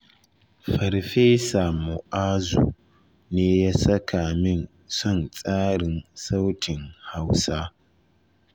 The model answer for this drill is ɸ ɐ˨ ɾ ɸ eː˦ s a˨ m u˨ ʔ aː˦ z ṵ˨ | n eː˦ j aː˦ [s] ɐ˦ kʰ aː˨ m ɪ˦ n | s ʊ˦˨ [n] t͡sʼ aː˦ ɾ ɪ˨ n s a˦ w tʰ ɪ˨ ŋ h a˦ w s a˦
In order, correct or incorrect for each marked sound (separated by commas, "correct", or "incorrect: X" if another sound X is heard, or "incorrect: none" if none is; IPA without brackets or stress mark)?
correct, correct